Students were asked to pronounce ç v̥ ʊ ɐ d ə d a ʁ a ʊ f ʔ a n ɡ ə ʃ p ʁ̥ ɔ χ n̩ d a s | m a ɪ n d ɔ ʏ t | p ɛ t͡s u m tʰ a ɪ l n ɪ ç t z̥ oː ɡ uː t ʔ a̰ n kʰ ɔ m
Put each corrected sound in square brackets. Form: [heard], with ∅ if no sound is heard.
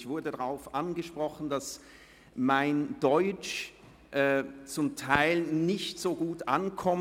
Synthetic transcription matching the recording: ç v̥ ʊ ɐ d ə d a ʁ a ʊ f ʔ a n ɡ ə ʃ p ʁ̥ ɔ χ n̩ d a s | m a ɪ n d ɔ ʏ [t͡ʃ] | [ʔ] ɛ t͡s [ʊ] m tʰ a ɪ l n ɪ ç t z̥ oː ɡ uː t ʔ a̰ n kʰ ɔ m